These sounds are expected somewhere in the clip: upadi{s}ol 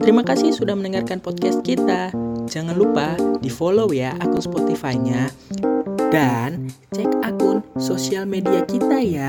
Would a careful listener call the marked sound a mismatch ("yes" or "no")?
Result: yes